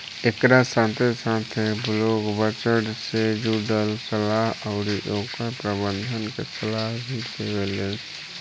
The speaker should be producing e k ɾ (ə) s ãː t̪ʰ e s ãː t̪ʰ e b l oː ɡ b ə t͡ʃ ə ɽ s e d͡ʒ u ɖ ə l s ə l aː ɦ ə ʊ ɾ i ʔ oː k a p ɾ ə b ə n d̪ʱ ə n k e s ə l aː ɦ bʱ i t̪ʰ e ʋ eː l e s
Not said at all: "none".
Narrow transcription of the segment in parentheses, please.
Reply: a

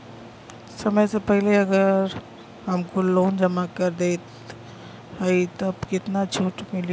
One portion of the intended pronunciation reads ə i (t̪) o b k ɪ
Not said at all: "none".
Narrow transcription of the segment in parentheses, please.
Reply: t̪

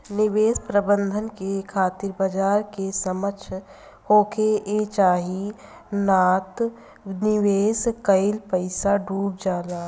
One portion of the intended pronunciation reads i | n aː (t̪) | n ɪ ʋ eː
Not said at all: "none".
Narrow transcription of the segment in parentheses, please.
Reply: t̪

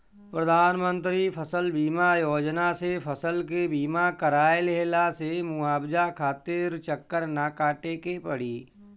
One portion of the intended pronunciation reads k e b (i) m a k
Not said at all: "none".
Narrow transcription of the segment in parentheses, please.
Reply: iː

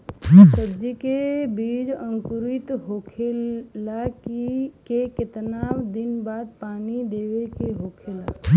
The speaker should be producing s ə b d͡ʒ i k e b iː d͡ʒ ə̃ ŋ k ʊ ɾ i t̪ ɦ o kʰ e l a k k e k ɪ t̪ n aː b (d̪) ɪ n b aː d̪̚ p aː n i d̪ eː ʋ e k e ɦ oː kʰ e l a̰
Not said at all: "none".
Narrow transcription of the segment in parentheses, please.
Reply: d̪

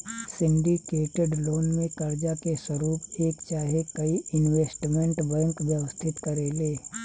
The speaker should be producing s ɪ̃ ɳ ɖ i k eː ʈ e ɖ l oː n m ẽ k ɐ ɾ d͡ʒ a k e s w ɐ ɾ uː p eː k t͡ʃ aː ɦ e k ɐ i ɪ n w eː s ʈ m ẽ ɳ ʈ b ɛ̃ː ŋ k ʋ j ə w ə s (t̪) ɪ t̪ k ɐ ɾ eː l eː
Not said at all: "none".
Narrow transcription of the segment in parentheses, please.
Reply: t̪ʰ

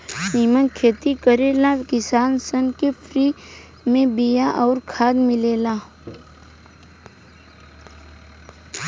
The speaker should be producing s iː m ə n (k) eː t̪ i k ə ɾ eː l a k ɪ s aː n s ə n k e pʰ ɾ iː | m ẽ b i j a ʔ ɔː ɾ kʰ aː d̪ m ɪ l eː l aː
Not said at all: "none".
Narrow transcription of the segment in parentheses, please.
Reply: kʰ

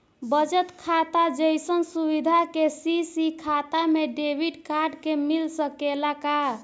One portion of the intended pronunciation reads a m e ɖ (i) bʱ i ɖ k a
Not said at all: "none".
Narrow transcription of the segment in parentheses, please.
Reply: e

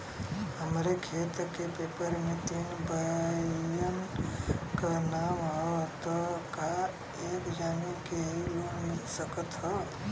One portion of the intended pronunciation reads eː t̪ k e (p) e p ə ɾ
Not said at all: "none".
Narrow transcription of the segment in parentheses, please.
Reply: p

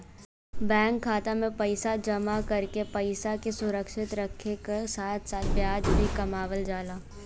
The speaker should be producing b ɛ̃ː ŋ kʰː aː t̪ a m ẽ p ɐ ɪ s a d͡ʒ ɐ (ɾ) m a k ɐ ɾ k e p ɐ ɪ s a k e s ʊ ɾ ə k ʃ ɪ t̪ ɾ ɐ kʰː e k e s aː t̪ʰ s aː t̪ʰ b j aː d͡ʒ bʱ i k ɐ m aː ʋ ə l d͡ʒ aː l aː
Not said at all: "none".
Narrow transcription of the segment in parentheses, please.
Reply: none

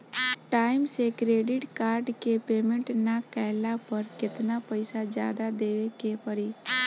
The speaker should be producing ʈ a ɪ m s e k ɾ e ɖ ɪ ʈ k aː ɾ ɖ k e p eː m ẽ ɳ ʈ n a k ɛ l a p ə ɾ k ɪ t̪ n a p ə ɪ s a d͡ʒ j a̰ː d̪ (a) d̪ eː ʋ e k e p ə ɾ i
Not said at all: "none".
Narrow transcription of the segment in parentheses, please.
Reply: a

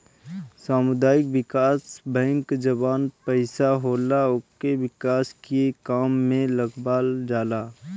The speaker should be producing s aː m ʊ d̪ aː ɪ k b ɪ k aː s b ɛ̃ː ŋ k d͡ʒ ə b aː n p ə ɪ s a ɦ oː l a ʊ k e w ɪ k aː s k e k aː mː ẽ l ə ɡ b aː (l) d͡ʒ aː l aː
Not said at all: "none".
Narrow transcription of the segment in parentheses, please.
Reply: l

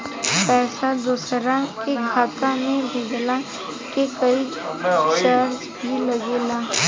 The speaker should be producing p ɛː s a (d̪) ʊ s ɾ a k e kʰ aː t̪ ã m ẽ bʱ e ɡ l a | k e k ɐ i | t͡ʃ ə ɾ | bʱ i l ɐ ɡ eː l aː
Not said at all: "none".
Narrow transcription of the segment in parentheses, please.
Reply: d̪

